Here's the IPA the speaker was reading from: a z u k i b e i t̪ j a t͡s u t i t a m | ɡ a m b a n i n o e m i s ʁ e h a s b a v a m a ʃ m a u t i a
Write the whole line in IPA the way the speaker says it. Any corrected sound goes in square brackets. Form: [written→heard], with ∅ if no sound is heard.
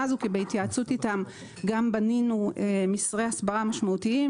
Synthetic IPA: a z u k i b e i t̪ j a t͡s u t i t a m | ɡ a m b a n i n [o→u] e m i s ʁ e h a s b a [v→ʁ] a m a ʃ m a u t i [a→i]